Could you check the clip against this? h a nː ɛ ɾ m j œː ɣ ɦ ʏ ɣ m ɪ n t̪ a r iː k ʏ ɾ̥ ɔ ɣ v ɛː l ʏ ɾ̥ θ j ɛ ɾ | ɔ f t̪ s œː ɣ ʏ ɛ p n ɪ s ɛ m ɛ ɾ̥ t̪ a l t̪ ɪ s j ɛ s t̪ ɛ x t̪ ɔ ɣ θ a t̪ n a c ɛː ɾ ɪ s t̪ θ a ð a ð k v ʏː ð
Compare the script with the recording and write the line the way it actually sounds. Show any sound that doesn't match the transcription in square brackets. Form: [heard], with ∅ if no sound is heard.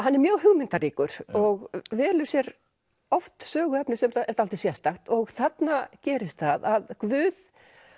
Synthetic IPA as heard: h a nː ɛ ɾ m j œː ɣ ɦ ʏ ɣ m ɪ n t̪ a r iː k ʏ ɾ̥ ɔ ɣ v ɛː l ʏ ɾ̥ [s] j ɛ ɾ | ɔ f t̪ s œː ɣ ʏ ɛ p n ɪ s ɛ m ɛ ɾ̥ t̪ a l t̪ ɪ s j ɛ s t̪ [a] x t̪ ɔ ɣ θ a t̪ n a c ɛː ɾ ɪ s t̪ θ a ð a ð k v ʏː ð

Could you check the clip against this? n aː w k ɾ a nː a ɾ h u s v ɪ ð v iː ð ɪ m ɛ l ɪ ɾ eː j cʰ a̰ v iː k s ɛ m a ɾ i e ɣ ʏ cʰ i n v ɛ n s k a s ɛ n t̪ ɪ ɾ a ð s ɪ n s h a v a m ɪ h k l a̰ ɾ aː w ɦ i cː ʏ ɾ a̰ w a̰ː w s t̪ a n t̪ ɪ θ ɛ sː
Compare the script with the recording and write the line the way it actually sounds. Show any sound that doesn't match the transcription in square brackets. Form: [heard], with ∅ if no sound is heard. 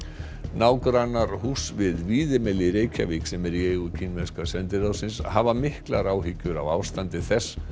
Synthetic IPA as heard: n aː w k ɾ a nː a ɾ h u s v ɪ ð v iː ð ɪ m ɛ l ɪ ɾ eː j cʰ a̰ v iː k s ɛ m [ɛ] ɾ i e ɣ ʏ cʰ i n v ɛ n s k a s ɛ n t̪ ɪ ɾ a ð s ɪ n s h a v a m ɪ h k l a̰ ɾ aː w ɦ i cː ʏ ɾ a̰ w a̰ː w s t̪ a n t̪ ɪ θ ɛ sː

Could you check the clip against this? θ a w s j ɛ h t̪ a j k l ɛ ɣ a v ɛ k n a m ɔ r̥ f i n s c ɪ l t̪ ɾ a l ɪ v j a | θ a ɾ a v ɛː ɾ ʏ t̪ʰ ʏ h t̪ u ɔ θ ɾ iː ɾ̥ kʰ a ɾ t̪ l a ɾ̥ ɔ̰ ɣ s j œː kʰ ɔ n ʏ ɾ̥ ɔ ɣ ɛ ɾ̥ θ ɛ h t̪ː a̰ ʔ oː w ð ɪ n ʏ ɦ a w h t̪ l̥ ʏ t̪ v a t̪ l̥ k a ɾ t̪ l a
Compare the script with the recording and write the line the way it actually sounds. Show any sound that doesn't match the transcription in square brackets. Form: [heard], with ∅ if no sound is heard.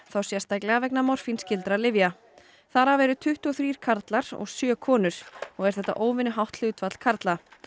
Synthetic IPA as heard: θ a w s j ɛ [s] t̪ a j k l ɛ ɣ a v ɛ k n a m ɔ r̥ f i n s c ɪ l t̪ ɾ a l ɪ v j a | θ a ɾ a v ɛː ɾ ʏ t̪ʰ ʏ h t̪ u ɔ θ ɾ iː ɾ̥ kʰ a ɾ t̪ l a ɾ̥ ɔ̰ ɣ s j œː kʰ [ɔː] n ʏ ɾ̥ ɔ ɣ ɛ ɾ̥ θ ɛ h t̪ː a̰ ʔ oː w [v] ɪ n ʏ ɦ a w h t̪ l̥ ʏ t̪ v a t̪ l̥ [kʰ] a ɾ t̪ l a

